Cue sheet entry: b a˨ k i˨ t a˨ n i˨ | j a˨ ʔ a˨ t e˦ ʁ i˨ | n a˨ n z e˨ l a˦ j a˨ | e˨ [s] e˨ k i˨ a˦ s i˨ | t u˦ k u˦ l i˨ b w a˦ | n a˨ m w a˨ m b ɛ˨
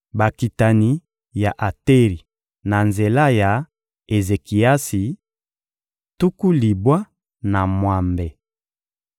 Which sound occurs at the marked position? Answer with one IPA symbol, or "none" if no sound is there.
z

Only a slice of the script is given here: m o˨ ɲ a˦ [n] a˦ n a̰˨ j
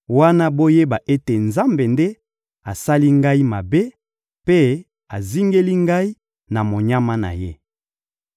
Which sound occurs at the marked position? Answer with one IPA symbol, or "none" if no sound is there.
m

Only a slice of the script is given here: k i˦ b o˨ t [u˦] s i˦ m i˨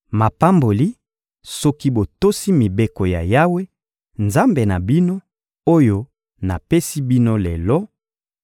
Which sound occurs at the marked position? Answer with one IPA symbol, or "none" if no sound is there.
o˦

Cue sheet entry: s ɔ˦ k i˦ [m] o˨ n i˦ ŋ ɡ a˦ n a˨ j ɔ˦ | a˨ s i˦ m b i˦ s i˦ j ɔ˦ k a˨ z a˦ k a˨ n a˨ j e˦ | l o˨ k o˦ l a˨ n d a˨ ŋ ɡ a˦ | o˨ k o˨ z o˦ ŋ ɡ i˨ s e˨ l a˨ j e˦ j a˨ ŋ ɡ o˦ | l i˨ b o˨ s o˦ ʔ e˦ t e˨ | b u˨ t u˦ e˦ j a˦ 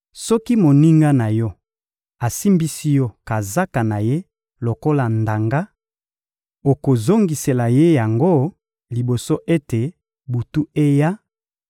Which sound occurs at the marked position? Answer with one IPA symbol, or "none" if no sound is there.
m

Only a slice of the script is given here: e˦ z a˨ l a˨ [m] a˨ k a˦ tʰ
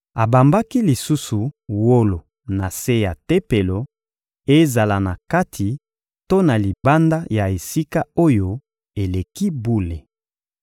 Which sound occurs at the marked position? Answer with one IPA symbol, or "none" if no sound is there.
n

